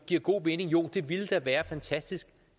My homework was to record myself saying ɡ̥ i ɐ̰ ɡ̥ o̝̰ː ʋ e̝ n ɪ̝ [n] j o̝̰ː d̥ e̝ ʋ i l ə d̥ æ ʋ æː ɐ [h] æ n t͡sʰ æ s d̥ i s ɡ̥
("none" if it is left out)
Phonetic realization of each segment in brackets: ŋ, f

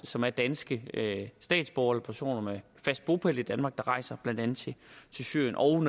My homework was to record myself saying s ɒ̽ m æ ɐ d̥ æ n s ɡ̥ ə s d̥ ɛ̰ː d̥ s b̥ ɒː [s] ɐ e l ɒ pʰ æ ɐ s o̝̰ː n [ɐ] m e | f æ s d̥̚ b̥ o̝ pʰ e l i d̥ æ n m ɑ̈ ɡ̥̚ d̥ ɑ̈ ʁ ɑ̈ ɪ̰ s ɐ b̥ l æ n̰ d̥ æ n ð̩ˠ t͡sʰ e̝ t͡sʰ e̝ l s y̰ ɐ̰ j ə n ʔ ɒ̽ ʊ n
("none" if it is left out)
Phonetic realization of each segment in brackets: none, ɐ

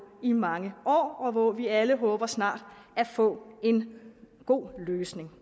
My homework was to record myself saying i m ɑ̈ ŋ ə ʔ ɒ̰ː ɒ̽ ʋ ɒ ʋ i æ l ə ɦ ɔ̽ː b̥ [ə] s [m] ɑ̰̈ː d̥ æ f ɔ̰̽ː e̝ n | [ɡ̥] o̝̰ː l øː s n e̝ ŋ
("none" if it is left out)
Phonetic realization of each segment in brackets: ɐ, n, ɡ̥

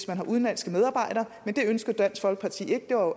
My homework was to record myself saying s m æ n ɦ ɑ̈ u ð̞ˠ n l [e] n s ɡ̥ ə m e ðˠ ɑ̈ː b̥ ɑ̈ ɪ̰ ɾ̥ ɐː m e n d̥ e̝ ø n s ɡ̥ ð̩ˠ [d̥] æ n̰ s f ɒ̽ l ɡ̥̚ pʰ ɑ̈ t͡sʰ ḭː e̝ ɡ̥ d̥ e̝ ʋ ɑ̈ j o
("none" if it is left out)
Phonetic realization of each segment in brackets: æ, d̥

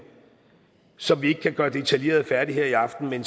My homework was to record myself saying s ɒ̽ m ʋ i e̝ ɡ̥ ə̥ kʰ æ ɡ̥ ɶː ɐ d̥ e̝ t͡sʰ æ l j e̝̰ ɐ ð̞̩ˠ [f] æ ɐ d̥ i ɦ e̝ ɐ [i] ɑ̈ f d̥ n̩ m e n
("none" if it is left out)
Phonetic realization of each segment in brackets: f, i

